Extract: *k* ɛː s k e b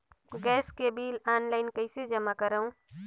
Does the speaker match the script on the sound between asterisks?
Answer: no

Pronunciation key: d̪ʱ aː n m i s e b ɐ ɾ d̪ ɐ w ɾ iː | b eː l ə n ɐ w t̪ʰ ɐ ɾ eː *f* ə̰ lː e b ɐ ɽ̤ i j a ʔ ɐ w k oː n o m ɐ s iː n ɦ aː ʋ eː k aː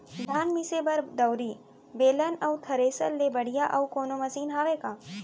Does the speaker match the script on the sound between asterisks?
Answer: no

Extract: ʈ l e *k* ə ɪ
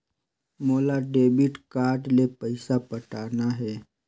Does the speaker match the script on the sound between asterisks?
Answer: no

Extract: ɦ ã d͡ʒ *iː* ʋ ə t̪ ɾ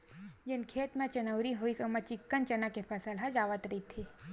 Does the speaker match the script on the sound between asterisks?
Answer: no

